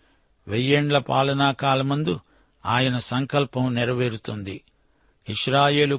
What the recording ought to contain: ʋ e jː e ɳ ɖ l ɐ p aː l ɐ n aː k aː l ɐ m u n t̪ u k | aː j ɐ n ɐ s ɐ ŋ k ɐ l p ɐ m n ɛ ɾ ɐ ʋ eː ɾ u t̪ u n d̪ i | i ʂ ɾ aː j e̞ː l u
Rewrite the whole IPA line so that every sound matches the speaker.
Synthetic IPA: ʋ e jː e ɳ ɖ l ɐ p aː l ɐ n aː k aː l ɐ m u n d̪ u | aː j ɐ n ɐ s ɐ ŋ k ɐ l p ɐ m n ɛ ɾ ɐ ʋ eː ɾ u t̪ u n d̪ i | i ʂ ɾ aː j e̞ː l u